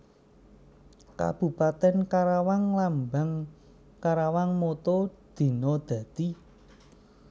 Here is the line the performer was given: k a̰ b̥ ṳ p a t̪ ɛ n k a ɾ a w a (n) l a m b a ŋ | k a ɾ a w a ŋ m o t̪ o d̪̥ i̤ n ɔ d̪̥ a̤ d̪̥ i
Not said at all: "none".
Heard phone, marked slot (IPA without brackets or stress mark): ŋ